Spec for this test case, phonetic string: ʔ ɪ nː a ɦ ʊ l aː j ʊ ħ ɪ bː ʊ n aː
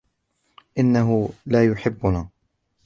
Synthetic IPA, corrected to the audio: ʔ ɪ nː a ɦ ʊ l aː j ʊ ħ ɪ bː ʊ n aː